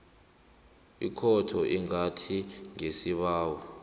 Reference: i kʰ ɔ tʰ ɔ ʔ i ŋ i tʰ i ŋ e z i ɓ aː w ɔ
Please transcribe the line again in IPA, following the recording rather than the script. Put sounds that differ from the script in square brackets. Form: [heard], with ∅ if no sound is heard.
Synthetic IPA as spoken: i kʰ ɔ tʰ ɔ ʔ i ŋ [a] tʰ i ŋ e [s] i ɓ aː w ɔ